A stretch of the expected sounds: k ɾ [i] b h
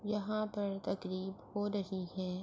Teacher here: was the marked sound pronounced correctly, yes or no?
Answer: no